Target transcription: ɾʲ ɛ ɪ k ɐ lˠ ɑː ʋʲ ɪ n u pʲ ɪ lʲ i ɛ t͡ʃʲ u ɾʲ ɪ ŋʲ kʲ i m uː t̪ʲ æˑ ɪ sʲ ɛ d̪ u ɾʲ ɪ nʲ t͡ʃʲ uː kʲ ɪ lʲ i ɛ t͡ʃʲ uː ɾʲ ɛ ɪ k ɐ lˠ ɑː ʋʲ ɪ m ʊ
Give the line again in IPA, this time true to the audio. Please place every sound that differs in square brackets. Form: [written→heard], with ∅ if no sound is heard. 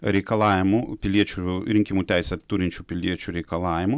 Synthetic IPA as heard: ɾʲ ɛ ɪ k ɐ lˠ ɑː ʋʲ ɪ [n→m] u pʲ ɪ lʲ i ɛ t͡ʃʲ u ɾʲ ɪ ŋʲ kʲ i m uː t̪ʲ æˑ ɪ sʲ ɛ [d̪→t̪] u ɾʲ ɪ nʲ t͡ʃʲ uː [kʲ→pʲ] ɪ lʲ i ɛ t͡ʃʲ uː ɾʲ ɛ ɪ k ɐ lˠ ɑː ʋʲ ɪ m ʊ